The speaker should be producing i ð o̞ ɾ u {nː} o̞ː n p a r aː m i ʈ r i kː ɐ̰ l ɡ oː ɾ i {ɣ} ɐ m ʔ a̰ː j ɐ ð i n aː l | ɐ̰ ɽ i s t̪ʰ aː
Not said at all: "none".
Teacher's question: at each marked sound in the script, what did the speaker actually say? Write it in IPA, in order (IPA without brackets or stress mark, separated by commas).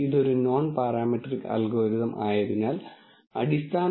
n, ð